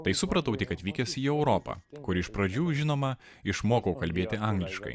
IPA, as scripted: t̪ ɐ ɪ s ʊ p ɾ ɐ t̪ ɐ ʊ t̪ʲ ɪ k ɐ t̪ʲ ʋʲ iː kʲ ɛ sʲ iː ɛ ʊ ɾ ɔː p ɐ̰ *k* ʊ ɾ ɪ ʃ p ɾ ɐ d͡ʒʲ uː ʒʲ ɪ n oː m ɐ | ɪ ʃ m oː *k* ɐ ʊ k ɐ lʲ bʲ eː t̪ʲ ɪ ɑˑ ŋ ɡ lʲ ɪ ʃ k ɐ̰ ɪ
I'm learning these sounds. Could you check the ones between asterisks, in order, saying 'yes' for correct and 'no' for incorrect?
yes, yes

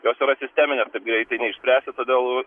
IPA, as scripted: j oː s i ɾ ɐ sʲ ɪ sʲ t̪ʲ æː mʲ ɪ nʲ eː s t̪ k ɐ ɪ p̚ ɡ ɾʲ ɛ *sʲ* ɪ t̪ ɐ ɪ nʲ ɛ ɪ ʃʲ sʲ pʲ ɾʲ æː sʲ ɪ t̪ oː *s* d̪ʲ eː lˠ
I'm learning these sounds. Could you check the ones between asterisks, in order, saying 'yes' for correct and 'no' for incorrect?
no, no

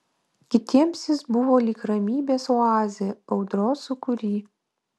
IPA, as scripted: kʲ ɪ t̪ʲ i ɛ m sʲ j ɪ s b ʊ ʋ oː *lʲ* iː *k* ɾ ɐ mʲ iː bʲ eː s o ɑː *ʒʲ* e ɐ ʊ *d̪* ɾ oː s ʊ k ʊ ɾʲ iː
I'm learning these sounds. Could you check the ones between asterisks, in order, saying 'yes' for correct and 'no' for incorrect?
yes, yes, no, yes

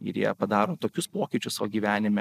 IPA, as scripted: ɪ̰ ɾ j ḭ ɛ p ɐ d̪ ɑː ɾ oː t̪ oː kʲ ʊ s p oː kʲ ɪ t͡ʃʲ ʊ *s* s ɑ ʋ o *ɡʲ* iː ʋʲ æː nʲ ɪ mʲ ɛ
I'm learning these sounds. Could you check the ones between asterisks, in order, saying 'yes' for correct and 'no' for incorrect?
yes, yes

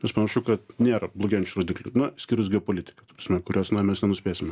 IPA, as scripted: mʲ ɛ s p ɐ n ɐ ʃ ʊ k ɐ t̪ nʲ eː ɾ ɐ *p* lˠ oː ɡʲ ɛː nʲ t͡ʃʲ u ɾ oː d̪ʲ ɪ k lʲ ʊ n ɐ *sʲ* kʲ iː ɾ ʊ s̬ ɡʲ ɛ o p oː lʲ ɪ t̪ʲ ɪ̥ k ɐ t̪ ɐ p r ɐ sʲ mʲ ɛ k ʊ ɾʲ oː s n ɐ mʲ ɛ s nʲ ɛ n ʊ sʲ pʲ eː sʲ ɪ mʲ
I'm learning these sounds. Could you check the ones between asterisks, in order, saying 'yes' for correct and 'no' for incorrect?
no, yes

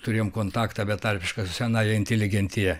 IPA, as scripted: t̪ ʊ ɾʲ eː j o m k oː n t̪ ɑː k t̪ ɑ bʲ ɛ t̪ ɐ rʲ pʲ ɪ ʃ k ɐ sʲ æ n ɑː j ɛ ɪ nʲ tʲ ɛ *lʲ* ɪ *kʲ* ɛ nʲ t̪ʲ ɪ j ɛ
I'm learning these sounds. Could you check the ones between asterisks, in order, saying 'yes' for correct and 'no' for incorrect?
yes, no

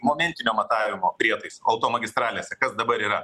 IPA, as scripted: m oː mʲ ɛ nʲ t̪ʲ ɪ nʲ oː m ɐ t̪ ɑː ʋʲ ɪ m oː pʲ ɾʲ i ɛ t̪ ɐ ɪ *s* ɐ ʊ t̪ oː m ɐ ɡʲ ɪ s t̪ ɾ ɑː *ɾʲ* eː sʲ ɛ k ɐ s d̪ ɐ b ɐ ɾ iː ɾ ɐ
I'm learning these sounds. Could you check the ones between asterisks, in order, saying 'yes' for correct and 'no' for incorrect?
yes, no

